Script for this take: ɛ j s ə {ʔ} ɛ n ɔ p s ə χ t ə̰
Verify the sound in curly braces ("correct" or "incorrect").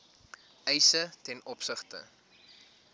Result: incorrect